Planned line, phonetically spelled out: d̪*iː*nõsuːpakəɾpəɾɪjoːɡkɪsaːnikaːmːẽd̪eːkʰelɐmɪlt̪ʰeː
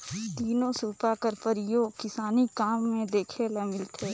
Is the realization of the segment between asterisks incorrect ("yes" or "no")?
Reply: no